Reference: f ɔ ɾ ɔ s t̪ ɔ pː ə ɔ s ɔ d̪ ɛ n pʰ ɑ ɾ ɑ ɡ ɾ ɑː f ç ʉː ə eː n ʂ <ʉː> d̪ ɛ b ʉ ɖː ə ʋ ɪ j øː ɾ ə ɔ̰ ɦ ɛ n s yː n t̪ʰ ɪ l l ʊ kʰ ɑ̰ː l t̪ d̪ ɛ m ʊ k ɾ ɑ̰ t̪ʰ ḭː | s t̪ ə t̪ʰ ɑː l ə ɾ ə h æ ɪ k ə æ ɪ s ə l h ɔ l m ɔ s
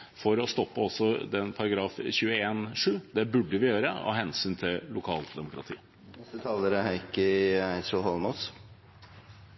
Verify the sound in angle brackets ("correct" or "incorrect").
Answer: correct